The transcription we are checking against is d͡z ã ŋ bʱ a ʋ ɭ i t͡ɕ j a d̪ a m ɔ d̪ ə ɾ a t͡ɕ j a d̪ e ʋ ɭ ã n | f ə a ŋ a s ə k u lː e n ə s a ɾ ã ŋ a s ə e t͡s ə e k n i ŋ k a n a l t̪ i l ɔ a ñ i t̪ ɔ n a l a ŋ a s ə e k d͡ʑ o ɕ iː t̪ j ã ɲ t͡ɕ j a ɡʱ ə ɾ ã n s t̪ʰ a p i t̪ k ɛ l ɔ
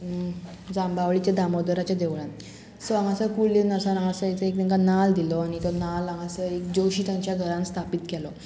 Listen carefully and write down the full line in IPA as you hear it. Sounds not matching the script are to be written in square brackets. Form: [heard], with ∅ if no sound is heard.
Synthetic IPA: d͡z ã [m] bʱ a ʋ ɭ i t͡ɕ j a d̪ a m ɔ d̪ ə ɾ a t͡ɕ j a d̪ e ʋ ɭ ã n | [s] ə a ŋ a s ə k u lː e n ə s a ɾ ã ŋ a s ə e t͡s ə e k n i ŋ k a n a l [d̪] i l ɔ a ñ i t̪ ɔ n a l a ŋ a s ə e k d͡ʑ o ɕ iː t̪ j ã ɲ t͡ɕ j a ɡʱ ə ɾ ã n s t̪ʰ a p i t̪ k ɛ l ɔ

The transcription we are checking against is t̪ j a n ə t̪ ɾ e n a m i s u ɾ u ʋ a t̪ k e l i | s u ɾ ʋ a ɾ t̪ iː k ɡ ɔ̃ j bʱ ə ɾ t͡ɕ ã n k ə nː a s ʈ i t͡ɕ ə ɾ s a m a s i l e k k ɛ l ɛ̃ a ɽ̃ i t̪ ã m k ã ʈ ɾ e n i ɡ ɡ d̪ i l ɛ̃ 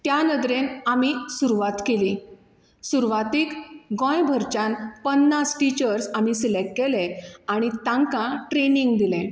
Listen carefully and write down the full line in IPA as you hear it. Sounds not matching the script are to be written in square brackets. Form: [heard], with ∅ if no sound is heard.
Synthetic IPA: t̪ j a n ə [d̪] ɾ e n a m i s u ɾ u ʋ a t̪ k e l i | s u ɾ ʋ a [∅] t̪ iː k ɡ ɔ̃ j bʱ ə ɾ t͡ɕ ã n [p] ə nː a s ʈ i t͡ɕ ə ɾ s a m [i] s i l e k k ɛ l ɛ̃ a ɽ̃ i t̪ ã [ŋ] k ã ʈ ɾ e n i [ŋ] ɡ d̪ i l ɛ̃

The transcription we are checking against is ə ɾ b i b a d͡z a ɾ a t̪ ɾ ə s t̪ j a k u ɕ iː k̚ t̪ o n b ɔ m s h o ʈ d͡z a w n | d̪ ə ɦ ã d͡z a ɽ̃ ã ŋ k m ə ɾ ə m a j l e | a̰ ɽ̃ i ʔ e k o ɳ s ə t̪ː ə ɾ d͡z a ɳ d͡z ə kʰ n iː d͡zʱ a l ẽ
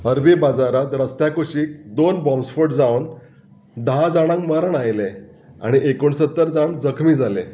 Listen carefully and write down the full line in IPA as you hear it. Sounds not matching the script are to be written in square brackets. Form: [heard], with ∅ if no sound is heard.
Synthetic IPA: ə ɾ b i b a d͡z a ɾ a t̪ ɾ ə s t̪ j a k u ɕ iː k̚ [d̪] o n b ɔ m s [f] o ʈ d͡z a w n | d̪ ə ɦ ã d͡z a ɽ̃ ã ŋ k m ə ɾ ə [ɳ] a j l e | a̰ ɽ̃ i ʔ e k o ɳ s ə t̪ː ə ɾ d͡z a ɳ d͡z ə kʰ [m] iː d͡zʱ a l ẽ

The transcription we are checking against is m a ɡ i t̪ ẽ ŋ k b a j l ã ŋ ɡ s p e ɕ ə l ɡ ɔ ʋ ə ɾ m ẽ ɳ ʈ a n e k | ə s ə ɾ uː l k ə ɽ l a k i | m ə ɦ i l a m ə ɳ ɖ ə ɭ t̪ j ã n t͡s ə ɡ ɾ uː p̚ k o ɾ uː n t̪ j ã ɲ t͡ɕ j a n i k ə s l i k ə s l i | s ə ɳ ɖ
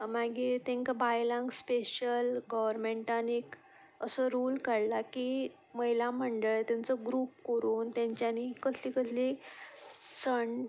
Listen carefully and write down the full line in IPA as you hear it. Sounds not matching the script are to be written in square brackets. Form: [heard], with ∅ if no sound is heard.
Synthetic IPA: m a ɡ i t̪ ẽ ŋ k b a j l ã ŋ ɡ s p e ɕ ə l ɡ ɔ ʋ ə ɾ m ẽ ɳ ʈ a n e k | ə s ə ɾ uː l k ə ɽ l a k i | m ə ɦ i l a m ə ɳ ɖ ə ɭ t̪ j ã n t͡s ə ɡ ɾ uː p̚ k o ɾ uː n t̪ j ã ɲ t͡ɕ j a n i k ə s l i k ə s l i | s ə ɳ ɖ

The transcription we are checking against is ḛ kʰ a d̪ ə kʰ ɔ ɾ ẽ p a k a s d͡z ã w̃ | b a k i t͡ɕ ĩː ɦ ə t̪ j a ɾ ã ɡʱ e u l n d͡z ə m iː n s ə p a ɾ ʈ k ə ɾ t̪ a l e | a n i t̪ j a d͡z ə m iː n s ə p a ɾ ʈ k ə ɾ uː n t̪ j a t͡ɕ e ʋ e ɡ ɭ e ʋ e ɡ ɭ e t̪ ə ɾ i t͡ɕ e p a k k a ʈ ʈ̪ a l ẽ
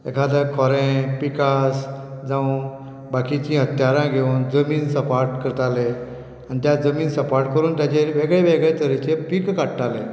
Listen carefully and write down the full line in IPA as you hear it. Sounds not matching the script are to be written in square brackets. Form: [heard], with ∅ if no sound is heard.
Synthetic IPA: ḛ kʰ a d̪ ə kʰ ɔ ɾ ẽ p [i] k a s d͡z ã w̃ | b a k i t͡ɕ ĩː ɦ ə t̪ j a ɾ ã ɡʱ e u [∅] n d͡z ə m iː n s ə p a ɾ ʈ k ə ɾ t̪ a l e | a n i t̪ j a d͡z ə m iː n s ə p a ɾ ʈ k ə ɾ uː n t̪ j a t͡ɕ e ʋ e ɡ ɭ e ʋ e ɡ ɭ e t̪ ə ɾ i t͡ɕ e p [i] k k a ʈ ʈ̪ a l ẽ

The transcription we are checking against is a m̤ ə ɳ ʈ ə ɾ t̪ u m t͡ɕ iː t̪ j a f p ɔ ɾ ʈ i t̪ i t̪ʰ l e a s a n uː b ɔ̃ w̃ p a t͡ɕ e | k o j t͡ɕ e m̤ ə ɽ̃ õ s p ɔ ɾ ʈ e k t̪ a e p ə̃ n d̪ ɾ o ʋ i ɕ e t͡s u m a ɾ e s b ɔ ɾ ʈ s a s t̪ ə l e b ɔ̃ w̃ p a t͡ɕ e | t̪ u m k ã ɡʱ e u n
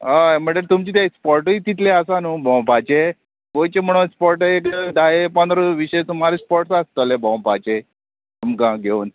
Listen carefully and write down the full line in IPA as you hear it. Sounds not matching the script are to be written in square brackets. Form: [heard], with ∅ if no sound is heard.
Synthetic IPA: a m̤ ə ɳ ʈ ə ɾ t̪ u m t͡ɕ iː t̪ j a [s] p ɔ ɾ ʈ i t̪ i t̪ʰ l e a s a n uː b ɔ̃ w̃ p a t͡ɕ e | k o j t͡ɕ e m̤ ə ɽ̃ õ s p ɔ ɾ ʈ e k [d̪] a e p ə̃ n d̪ ɾ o ʋ i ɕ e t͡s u m a ɾ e s [p] ɔ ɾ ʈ s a s t̪ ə l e b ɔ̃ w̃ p a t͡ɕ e | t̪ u m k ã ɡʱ e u n

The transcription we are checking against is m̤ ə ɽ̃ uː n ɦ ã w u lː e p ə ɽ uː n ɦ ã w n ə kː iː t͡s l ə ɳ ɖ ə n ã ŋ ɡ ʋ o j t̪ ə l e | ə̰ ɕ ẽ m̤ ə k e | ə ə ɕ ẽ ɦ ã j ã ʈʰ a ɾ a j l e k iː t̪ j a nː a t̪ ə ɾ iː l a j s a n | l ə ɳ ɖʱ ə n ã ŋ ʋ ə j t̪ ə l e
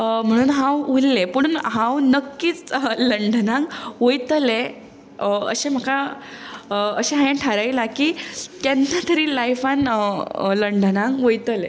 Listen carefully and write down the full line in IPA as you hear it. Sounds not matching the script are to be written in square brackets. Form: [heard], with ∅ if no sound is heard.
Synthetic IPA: m̤ ə ɽ̃ uː n ɦ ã w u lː e p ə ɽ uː n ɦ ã w n ə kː iː t͡s l ə ɳ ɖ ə n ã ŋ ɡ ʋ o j t̪ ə l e | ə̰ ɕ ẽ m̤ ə k [a] | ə ə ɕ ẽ ɦ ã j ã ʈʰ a ɾ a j l [a] k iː t̪ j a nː a t̪ ə ɾ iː l a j [f] a n | l ə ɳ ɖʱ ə n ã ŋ ʋ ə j t̪ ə l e

